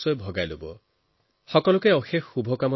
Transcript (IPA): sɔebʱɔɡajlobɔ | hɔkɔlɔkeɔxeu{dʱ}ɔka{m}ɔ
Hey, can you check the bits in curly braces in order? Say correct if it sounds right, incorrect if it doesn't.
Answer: incorrect: bʱ, correct

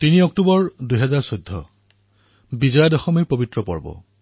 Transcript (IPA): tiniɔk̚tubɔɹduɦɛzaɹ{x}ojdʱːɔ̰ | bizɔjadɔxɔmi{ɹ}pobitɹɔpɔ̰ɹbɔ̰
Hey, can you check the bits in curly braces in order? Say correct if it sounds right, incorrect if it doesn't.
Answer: incorrect: s, correct

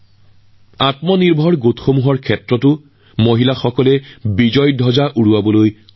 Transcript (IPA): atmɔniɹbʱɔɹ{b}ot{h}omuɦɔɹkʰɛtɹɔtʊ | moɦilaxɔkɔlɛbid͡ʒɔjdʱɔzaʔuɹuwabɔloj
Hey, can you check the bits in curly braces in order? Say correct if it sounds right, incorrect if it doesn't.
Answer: incorrect: ɡ, incorrect: x

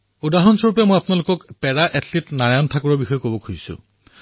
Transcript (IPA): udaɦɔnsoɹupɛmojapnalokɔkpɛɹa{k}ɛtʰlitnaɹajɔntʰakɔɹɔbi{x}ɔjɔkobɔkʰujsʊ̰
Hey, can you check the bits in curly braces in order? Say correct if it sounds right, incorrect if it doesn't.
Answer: incorrect: ʔ, correct

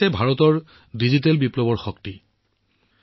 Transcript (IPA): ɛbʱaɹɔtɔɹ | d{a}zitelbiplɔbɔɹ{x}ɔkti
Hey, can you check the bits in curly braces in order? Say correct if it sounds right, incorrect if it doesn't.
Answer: incorrect: i, correct

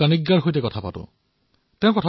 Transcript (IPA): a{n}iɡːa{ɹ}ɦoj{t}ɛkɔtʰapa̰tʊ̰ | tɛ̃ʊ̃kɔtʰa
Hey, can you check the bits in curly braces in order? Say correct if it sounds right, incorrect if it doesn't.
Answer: correct, correct, correct

